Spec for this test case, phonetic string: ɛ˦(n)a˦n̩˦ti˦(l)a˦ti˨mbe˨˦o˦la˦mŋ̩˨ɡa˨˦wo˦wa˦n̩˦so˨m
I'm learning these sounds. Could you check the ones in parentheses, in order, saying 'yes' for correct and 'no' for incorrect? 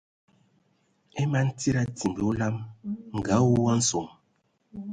no, no

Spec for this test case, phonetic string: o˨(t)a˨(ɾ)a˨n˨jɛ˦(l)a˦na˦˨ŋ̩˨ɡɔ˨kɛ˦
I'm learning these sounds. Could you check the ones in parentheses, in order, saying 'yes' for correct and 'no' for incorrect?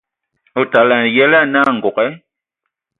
yes, no, yes

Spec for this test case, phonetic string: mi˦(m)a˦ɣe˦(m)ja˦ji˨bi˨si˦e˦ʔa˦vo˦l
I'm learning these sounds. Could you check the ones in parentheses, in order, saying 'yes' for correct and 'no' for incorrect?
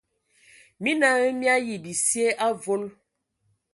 no, yes

